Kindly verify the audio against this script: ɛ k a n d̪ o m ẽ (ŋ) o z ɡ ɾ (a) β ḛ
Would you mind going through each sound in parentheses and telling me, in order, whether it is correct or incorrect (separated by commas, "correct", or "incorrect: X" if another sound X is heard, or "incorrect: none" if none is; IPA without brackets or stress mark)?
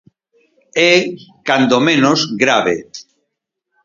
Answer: incorrect: n, correct